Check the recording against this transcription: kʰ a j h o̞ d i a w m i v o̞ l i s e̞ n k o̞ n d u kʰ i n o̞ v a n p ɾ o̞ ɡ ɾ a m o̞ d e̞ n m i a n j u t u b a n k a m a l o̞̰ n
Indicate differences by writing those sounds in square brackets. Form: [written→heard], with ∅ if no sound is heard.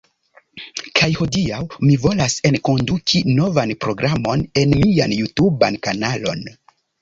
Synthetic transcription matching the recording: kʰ a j h o̞ d i a w m i v o̞ l [i→a] s e̞ n k o̞ n d u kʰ i n o̞ v a n p ɾ o̞ ɡ ɾ a m o̞ [d→n] e̞ n m i a n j u t u b a n k a [m→n] a l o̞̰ n